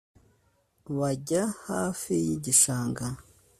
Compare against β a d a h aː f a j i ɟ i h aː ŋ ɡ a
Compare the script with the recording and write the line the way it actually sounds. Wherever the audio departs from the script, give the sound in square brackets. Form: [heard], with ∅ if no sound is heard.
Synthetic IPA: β a [ɟ] a h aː f [i] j i ɟ i [ʃ] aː ŋ ɡ a